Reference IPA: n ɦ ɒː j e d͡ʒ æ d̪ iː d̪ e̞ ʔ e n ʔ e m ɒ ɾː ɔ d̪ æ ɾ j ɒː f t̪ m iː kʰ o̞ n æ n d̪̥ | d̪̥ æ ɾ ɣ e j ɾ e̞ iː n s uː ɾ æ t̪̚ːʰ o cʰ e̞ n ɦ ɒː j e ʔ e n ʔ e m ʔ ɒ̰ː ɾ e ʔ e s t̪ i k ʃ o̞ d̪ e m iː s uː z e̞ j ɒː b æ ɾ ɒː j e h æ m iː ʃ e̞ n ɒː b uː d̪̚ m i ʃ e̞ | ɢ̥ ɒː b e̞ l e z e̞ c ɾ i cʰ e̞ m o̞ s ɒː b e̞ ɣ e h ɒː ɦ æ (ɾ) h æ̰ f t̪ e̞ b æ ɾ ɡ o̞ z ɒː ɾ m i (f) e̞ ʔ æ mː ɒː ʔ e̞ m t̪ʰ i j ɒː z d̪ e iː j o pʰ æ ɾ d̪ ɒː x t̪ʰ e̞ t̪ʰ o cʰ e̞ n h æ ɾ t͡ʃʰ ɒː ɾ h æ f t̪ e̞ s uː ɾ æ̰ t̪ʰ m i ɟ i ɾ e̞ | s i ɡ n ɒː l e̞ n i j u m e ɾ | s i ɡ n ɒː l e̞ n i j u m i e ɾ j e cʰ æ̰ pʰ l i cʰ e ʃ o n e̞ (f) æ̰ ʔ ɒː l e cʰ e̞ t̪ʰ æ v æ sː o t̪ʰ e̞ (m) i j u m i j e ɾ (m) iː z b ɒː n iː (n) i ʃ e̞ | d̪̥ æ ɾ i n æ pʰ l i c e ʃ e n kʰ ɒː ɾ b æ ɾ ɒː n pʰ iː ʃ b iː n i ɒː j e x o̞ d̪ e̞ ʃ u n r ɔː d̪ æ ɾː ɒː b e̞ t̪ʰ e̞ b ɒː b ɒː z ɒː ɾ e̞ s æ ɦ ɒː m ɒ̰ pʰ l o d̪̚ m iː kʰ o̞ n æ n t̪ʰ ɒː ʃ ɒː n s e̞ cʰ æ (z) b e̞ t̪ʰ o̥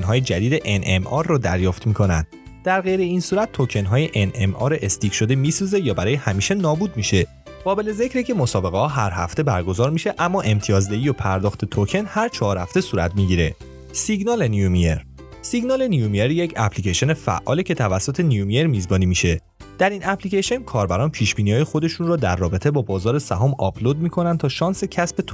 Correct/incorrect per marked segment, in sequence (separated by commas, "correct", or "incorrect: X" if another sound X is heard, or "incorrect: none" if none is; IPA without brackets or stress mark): correct, incorrect: ʃ, correct, incorrect: n, correct, incorrect: m, incorrect: s